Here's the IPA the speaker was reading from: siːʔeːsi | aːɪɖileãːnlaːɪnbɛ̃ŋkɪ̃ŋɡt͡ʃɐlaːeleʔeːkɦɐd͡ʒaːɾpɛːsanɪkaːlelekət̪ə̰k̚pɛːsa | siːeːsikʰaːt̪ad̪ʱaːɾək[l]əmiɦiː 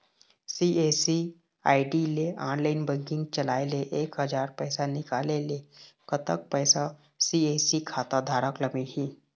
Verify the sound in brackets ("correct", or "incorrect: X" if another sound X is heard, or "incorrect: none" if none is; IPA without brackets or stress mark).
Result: correct